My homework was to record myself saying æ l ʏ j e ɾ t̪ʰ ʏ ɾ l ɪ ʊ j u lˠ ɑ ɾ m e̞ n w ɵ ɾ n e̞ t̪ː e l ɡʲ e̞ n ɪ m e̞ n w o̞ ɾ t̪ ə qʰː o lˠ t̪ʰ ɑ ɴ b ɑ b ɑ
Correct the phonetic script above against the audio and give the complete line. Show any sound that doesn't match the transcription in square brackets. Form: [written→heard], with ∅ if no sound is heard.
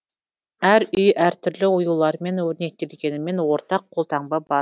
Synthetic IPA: æ [l→ɾ] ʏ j [e→æ] ɾ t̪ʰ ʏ ɾ l ɪ ʊ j u lˠ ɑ ɾ m e̞ n w ɵ ɾ n e̞ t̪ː e l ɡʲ e̞ n ɪ m e̞ n w o̞ ɾ t̪ [ə→ɑ] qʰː o lˠ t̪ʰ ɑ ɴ b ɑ b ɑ

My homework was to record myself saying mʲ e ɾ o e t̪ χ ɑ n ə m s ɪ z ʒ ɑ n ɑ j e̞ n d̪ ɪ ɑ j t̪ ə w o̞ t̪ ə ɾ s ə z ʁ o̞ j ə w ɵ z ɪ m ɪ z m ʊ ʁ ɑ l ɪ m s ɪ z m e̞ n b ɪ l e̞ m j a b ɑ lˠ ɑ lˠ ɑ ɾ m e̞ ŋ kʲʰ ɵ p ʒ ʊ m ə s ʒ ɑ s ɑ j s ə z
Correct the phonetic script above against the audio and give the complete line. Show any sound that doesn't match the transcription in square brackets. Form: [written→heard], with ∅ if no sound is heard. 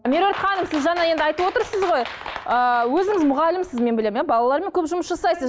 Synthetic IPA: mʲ e ɾ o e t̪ χ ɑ n ə m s ɪ z ʒ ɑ n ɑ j e̞ n d̪ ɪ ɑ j t̪ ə w o̞ t̪ ə ɾ s ə z ʁ o̞ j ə w ɵ z ɪ [m→ŋ] ɪ z m ʊ ʁ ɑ l ɪ m s ɪ z m e̞ n b ɪ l e̞ m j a b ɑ lˠ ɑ lˠ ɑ ɾ m e̞ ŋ kʲʰ ɵ p ʒ ʊ m ə s ʒ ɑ s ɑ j s ə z

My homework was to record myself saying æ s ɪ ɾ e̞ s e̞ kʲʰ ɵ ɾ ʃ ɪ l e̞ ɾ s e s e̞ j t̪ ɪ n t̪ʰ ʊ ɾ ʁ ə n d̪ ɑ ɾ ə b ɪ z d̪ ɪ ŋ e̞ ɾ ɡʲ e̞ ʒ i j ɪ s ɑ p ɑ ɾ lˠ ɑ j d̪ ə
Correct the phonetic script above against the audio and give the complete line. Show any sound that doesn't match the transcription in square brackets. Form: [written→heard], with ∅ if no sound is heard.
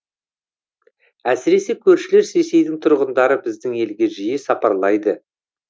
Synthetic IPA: æ s ɪ ɾ e̞ s e̞ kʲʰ ɵ ɾ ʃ ɪ l e̞ ɾ s e s e̞ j [t̪→d̪] ɪ [n→ŋ] t̪ʰ ʊ ɾ ʁ ə n d̪ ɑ ɾ ə b ɪ z d̪ ɪ ŋ e̞ [ɾ→l] ɡʲ e̞ ʒ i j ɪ s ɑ p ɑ ɾ lˠ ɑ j d̪ ə

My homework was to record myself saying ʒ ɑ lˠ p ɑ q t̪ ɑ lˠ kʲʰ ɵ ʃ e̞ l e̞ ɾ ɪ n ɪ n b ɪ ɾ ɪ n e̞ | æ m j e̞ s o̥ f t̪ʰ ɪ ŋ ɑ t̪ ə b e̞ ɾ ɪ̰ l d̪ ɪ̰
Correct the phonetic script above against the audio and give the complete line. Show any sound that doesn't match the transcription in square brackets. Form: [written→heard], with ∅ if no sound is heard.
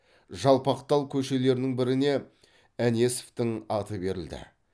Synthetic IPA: ʒ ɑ lˠ p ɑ q t̪ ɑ lˠ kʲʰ ɵ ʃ e̞ l e̞ ɾ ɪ n ɪ [n→ŋ] b ɪ ɾ ɪ n e̞ | æ [m→n] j e̞ s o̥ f [t̪ʰ→t̪] ɪ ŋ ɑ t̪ ə b e̞ ɾ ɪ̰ l d̪ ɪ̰

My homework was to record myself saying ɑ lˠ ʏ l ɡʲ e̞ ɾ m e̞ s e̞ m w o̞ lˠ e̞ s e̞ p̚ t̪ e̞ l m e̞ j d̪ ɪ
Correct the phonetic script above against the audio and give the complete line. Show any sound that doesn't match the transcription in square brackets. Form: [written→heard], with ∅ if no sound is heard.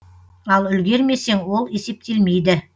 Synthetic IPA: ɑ lˠ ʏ l ɡʲ e̞ ɾ m e̞ s e̞ [m→ŋ] w o̞ lˠ e̞ s e̞ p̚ t̪ e̞ l m e̞ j d̪ ɪ

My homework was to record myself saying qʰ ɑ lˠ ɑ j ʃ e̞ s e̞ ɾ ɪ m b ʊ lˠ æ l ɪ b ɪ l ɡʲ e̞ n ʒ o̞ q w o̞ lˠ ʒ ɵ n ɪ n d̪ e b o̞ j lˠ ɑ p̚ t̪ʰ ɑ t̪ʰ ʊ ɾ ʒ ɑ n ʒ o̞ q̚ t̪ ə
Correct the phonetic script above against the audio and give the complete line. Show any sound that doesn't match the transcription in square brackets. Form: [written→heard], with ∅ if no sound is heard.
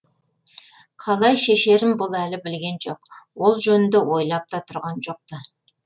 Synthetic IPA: qʰ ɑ lˠ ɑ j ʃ e̞ [s→ʃ] e̞ ɾ ɪ m b ʊ lˠ æ l ɪ b ɪ l ɡʲ e̞ n ʒ o̞ q w o̞ lˠ ʒ ɵ n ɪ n d̪ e [b→w] o̞ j lˠ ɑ p̚ [t̪ʰ→t̪] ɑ t̪ʰ ʊ ɾ [ʒ→ʁ] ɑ n ʒ o̞ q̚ t̪ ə

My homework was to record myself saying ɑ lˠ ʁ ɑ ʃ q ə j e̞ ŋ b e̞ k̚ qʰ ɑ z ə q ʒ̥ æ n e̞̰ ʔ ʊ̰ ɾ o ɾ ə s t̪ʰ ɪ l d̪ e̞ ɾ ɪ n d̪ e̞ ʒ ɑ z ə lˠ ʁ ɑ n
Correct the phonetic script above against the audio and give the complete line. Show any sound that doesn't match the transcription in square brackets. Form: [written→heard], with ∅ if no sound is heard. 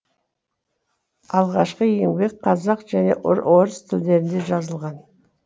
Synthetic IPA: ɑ lˠ ʁ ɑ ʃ q ə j e̞ ŋ b e̞ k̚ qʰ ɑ z [ə→ɑ] q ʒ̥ æ n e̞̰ ʔ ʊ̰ ɾ o ɾ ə s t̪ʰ ɪ l d̪ e̞ ɾ ɪ n d̪ e̞ ʒ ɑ z ə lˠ ʁ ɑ n

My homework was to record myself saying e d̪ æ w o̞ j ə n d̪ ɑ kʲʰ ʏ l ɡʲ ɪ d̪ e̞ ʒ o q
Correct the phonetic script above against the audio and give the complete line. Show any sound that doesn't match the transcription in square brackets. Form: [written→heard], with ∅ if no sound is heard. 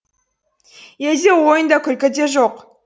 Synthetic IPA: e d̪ [æ→e] w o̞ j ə n d̪ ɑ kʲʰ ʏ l [ɡʲ→kʲ] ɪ d̪ e̞ ʒ o q

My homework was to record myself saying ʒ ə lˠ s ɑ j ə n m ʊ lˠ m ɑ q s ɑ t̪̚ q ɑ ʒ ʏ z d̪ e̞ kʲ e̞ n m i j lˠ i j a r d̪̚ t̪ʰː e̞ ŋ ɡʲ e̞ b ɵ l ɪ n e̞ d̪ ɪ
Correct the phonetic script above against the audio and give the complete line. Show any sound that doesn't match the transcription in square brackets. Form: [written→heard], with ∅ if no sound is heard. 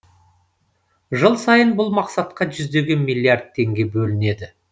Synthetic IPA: ʒ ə lˠ s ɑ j ə n [m→b] ʊ lˠ m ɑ q s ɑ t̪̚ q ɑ ʒ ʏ z d̪ e̞ [kʲ→ɡʲ] e̞ n m i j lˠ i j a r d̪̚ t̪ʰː e̞ ŋ ɡʲ e̞ b ɵ l ɪ n e̞ d̪ ɪ

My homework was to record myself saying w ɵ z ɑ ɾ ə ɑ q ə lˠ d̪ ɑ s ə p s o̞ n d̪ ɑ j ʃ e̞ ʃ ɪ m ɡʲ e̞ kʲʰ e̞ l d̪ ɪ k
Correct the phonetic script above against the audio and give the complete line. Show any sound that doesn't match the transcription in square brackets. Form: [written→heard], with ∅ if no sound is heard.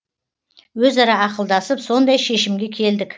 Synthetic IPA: w ɵ z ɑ ɾ [ə→ɑ] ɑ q ə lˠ d̪ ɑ s ə p s o̞ n d̪ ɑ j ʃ e̞ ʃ ɪ m ɡʲ e̞ kʲʰ e̞ l d̪ ɪ k

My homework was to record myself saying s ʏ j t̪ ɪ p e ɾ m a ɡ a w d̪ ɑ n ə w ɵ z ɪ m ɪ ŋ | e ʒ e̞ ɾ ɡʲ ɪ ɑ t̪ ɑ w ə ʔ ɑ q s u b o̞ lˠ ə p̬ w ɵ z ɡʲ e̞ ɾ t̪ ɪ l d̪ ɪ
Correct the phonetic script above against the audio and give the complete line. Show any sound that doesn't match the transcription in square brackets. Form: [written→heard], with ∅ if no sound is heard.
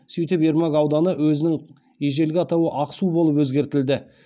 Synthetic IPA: s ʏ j t̪ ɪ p e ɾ m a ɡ [a→ɑ] w d̪ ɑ n ə w ɵ z ɪ [m→n] ɪ ŋ | e ʒ e̞ [ɾ→l] ɡʲ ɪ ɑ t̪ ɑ w ə ʔ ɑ q s u b o̞ lˠ ə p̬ w ɵ z ɡʲ e̞ ɾ t̪ ɪ l d̪ ɪ

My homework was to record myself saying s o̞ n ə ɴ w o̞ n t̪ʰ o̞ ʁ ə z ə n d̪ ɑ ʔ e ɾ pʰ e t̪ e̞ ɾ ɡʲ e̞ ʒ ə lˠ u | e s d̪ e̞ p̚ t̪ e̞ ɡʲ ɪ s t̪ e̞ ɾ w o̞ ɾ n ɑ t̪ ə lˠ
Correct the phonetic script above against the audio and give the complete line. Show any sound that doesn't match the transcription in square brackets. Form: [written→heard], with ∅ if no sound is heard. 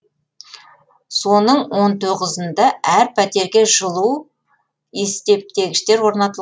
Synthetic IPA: s o̞ n ə ɴ w o̞ n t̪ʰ o̞ ʁ ə z ə n d̪ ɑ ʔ [e→æ] ɾ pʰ [e→æ] t̪ e̞ ɾ ɡʲ e̞ ʒ ə lˠ u | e s [d̪→t̪] e̞ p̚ t̪ e̞ ɡʲ ɪ [s→ʃ] t̪ e̞ ɾ w o̞ ɾ n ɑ t̪ ə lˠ

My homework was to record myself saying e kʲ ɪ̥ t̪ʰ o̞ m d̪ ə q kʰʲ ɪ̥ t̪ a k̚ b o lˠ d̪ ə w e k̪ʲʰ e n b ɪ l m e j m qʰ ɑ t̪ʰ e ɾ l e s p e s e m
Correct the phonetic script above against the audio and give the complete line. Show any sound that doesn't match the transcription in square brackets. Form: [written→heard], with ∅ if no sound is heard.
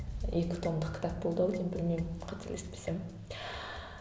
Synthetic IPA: e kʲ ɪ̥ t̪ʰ o̞ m d̪ ə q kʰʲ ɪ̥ t̪ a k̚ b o lˠ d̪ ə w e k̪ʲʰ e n b ɪ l m e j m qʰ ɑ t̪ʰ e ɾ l e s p e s e m

